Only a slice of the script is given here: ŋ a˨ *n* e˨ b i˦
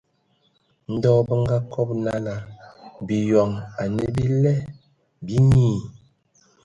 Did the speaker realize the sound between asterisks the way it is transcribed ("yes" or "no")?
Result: yes